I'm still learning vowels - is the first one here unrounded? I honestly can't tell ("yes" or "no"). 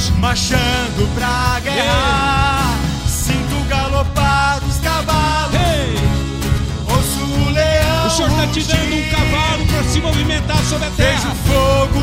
yes